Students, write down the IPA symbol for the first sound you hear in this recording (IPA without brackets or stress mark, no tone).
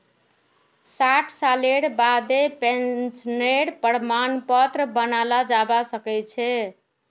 s